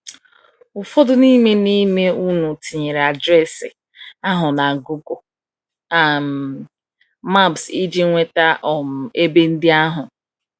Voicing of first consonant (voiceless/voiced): voiceless